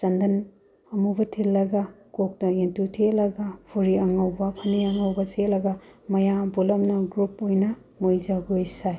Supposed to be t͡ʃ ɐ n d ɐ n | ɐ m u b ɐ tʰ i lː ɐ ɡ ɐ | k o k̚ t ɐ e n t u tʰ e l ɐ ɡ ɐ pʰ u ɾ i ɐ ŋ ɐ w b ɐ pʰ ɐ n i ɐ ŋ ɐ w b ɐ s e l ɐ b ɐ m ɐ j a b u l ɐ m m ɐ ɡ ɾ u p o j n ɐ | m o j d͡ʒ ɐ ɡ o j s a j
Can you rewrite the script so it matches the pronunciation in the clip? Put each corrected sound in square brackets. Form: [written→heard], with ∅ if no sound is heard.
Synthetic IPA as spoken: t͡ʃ ɐ n d ɐ n | ɐ m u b ɐ tʰ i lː ɐ ɡ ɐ | k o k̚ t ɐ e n t u tʰ e l ɐ ɡ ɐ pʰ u ɾ i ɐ ŋ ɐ w b ɐ pʰ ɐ n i ɐ ŋ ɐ w b ɐ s e l ɐ [b→ɡ] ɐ m ɐ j a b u l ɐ m [m→n] ɐ ɡ ɾ u p o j n ɐ | m o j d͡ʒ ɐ ɡ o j s a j

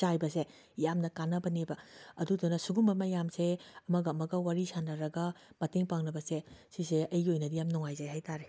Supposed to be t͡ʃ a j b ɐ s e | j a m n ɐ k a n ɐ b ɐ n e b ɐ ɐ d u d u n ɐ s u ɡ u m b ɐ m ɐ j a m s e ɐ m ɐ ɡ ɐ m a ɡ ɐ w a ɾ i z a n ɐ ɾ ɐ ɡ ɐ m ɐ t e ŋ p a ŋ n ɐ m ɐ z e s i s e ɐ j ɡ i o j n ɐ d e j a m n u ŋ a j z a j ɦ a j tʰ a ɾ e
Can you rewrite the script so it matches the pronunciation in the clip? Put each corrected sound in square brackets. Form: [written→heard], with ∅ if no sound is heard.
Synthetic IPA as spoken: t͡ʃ a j b ɐ s e | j a m n ɐ k a n ɐ b ɐ n e b ɐ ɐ d u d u n ɐ s u ɡ u m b ɐ m ɐ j a m s e ɐ m ɐ ɡ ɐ m [a→ɐ] ɡ ɐ w a ɾ i [z→s] a n ɐ ɾ ɐ ɡ ɐ m ɐ t e ŋ p a ŋ n ɐ [m→b] ɐ [z→s] e s i s e ɐ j ɡ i o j n ɐ d [e→i] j a m n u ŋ a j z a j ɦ a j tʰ a ɾ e

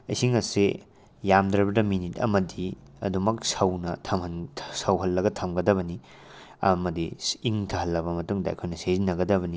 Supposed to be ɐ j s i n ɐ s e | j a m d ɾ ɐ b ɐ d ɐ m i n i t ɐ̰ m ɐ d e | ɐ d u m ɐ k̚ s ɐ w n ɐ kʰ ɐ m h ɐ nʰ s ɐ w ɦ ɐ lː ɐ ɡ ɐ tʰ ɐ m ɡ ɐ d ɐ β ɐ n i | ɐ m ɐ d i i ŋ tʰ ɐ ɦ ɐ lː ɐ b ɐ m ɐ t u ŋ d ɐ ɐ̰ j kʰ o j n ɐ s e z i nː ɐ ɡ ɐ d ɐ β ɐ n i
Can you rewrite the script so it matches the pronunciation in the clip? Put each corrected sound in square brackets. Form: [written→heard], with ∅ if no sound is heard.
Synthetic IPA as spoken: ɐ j s i [n→ŋ] ɐ s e | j a m d ɾ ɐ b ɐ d ɐ m i n i t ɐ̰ m ɐ d [e→i] | ɐ d u m ɐ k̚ s ɐ w n ɐ [kʰ→tʰ] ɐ m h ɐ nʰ s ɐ w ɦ ɐ lː ɐ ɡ ɐ tʰ ɐ m ɡ ɐ d ɐ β ɐ n i | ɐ m ɐ d i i ŋ tʰ ɐ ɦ ɐ lː ɐ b ɐ m ɐ t u ŋ d ɐ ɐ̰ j kʰ o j n ɐ s e z i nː ɐ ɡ ɐ d ɐ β ɐ n i

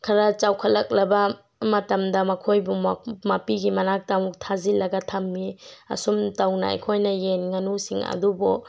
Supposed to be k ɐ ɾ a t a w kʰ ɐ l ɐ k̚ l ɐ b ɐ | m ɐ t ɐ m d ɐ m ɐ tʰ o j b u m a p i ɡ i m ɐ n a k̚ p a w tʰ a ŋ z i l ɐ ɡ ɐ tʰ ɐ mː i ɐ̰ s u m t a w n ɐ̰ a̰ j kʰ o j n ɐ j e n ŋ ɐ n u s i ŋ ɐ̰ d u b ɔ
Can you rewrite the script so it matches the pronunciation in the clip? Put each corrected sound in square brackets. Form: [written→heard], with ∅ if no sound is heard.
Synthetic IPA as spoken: [k→kʰ] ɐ ɾ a [t→t͡ʃ] a w kʰ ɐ l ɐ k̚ l ɐ b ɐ | m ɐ t ɐ m d ɐ m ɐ [tʰ→kʰ] o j b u m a p i ɡ i m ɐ n a k̚ [p→t] a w tʰ a [ŋ→∅] z i l ɐ ɡ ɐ tʰ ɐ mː i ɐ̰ s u m t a w n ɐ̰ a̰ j kʰ o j n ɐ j e n ŋ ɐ n u s i ŋ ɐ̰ d u b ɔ

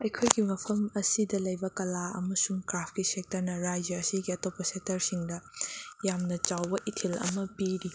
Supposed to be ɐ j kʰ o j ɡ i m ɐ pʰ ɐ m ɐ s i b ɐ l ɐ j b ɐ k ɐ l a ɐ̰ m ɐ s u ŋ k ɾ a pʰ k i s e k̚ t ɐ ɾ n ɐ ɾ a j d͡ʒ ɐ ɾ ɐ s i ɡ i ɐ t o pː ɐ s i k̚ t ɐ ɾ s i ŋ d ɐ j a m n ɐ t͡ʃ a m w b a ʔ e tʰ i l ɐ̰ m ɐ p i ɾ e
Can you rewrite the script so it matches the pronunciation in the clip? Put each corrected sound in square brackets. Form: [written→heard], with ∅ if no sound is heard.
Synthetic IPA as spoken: ɐ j kʰ o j ɡ i m ɐ pʰ ɐ m ɐ s i [b→d] ɐ l ɐ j b ɐ k ɐ l a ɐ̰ m ɐ s u ŋ k ɾ a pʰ k i s e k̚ t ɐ ɾ n ɐ ɾ a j d͡ʒ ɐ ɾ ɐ s i ɡ i ɐ t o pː ɐ s [i→e] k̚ t ɐ ɾ s i ŋ d ɐ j a m n ɐ t͡ʃ a [m→∅] w b [a→ɐ] ʔ [e→i] tʰ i l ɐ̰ m ɐ p i ɾ [e→i]

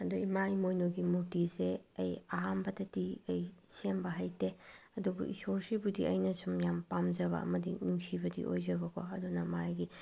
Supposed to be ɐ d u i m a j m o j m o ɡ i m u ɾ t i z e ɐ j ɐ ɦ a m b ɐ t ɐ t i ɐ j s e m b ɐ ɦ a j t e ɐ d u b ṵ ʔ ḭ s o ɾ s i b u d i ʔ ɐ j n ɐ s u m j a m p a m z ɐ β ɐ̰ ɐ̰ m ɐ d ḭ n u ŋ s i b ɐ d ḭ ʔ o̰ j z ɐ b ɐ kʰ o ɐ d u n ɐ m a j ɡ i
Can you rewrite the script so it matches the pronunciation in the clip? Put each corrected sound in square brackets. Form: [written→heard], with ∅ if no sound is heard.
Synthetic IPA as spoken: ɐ d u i m a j m o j [m→n] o ɡ i m u ɾ t i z e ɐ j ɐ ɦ a m b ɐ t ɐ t i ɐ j s e m b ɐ ɦ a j t e ɐ d u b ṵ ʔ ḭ s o ɾ s i b u d i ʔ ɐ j n ɐ s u m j a m p a m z ɐ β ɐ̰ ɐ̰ m ɐ d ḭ n u ŋ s i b ɐ d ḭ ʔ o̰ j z ɐ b ɐ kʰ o ɐ d u n ɐ m a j ɡ i

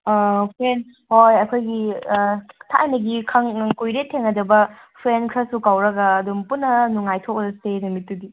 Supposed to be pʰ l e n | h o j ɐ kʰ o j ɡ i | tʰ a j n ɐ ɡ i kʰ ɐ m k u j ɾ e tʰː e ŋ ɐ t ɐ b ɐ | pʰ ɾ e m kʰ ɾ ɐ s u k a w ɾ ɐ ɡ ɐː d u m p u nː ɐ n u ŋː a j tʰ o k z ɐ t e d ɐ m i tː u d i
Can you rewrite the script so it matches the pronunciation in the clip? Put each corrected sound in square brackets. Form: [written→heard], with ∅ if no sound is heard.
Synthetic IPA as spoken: pʰ [l→ɾ] e n | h o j ɐ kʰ o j ɡ i | tʰ a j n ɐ ɡ i kʰ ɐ [m→ŋ] k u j ɾ e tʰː e ŋ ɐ [t→d] ɐ b ɐ | pʰ ɾ e [m→n] kʰ ɾ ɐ s u k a w ɾ ɐ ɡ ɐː d u m p u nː ɐ n u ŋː a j tʰ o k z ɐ [t→s] e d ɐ m i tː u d i

